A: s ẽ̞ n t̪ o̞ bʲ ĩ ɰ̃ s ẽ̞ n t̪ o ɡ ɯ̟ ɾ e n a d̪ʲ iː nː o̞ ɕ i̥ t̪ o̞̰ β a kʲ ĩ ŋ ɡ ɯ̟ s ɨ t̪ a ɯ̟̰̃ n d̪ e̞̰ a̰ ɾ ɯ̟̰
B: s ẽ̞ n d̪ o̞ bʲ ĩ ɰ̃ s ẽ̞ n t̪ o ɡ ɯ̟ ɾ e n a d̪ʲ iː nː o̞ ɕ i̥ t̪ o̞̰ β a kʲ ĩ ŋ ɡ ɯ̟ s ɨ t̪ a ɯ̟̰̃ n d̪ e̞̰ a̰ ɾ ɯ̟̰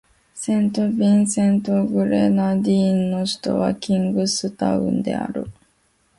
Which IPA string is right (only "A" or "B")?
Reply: A